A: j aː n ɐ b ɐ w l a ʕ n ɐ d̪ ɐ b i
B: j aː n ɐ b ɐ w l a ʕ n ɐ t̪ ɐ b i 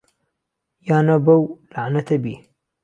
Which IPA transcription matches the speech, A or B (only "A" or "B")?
B